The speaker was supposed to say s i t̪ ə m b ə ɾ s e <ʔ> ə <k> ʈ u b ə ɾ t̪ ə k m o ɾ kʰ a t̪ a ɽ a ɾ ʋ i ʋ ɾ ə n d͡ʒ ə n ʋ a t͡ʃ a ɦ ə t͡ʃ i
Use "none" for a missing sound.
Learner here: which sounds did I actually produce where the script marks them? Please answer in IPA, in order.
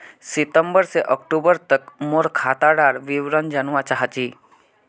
ʔ, k

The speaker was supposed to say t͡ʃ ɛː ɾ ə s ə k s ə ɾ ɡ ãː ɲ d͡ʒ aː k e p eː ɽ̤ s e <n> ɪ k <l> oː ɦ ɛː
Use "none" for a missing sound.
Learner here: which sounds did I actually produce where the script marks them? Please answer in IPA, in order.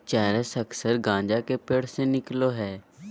n, l

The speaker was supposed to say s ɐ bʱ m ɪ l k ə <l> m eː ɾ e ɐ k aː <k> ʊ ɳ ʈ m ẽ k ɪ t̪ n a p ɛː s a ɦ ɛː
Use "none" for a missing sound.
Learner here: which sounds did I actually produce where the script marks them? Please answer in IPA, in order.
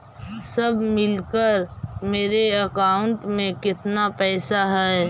ɾ, none

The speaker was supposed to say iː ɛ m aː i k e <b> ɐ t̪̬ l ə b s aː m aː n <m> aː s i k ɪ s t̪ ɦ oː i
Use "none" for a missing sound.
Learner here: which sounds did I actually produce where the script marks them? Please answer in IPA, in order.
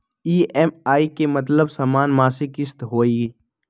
m, m

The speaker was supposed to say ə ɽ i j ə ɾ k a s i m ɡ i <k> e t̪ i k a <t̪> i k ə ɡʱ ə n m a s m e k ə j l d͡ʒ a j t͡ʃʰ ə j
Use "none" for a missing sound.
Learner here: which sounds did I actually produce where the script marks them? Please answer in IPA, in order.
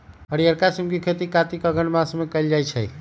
kʰ, t̪

